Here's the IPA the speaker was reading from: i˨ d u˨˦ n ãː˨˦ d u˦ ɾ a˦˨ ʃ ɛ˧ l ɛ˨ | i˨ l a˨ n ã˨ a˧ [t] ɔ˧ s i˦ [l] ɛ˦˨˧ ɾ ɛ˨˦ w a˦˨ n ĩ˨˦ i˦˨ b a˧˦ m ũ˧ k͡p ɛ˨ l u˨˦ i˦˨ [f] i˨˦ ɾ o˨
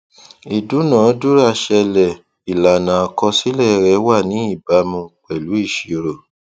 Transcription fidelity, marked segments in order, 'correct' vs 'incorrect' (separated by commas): incorrect, correct, incorrect